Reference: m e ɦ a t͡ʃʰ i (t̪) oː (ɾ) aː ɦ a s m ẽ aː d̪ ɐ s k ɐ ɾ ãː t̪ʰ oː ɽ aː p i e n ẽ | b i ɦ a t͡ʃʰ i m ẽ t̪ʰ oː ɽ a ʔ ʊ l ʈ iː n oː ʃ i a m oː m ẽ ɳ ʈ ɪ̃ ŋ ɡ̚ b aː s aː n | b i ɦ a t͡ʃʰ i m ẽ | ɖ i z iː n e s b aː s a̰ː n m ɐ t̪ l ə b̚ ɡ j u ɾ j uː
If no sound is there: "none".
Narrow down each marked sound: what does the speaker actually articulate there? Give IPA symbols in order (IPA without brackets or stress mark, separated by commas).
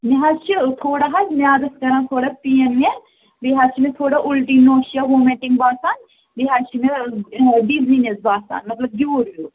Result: t̪ʰ, ɽ